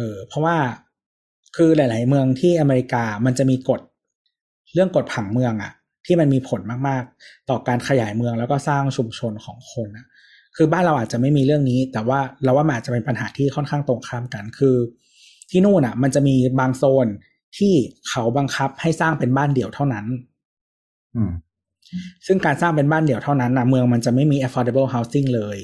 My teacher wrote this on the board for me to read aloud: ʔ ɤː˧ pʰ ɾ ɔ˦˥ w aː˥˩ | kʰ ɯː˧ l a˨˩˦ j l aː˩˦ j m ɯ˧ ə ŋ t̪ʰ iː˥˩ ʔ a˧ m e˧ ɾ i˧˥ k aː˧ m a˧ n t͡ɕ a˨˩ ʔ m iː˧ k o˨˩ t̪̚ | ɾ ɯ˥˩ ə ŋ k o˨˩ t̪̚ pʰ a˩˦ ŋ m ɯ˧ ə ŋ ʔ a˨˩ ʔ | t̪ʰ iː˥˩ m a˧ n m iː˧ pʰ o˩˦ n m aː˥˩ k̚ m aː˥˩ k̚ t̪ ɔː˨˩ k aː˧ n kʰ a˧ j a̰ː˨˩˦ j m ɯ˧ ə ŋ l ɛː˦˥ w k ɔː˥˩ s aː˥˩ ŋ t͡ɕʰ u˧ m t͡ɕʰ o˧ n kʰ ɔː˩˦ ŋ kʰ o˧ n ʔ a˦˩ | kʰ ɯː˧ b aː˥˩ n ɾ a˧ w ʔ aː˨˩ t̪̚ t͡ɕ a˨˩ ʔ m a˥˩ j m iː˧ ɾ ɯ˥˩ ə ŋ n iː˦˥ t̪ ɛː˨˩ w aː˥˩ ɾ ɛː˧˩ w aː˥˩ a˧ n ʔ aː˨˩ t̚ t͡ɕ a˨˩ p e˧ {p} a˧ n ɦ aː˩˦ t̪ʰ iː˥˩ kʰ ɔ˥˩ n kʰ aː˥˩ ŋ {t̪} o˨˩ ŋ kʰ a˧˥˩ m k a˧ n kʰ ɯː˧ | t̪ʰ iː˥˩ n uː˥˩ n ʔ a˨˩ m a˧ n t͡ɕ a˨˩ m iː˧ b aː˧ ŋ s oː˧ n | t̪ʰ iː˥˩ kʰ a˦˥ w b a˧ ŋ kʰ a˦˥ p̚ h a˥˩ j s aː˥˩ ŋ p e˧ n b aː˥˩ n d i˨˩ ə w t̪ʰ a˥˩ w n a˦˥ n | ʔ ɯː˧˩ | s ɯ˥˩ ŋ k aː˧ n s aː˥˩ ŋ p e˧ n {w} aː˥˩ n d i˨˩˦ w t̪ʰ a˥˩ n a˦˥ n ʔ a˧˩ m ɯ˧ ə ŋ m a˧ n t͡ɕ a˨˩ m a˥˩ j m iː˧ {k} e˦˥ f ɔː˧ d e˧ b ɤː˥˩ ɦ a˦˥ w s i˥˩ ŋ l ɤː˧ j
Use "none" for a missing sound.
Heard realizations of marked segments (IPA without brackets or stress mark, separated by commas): p, t̪, b, ʔ